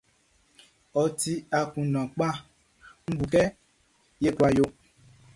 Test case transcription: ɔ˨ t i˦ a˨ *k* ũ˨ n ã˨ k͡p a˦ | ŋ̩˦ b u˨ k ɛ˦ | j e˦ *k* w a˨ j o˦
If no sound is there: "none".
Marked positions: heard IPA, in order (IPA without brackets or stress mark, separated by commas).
k, k